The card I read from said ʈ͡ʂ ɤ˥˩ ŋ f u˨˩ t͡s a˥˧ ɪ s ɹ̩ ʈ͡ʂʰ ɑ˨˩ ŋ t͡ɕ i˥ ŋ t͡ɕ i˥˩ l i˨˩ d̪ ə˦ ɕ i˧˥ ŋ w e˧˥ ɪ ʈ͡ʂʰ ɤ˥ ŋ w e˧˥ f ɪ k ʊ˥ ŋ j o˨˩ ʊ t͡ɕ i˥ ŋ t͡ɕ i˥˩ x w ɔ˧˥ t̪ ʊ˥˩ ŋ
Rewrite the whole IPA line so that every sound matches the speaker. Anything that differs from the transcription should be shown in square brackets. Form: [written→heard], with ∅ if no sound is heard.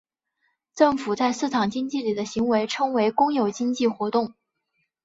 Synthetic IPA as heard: ʈ͡ʂ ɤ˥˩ ŋ f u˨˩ t͡s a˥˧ ɪ s ɹ̩ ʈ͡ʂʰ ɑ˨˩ ŋ t͡ɕ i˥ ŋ t͡ɕ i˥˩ l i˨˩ d̪ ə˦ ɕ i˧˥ ŋ w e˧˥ ɪ ʈ͡ʂʰ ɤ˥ ŋ w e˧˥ [f→∅] ɪ k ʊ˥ ŋ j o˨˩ ʊ t͡ɕ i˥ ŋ t͡ɕ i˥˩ x w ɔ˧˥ t̪ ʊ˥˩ ŋ